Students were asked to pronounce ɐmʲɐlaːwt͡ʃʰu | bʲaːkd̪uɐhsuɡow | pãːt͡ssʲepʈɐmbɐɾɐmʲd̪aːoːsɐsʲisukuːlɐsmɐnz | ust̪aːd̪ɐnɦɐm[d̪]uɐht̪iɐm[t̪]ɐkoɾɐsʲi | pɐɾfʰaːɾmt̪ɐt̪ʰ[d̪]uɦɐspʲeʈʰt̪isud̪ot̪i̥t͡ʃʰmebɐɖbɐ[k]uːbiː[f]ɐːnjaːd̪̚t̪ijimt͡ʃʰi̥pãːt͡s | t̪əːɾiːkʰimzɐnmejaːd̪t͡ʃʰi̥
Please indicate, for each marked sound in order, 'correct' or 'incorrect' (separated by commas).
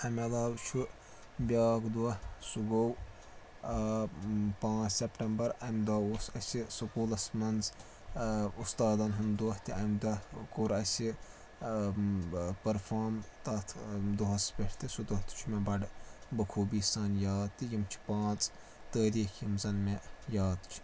correct, incorrect, correct, incorrect, incorrect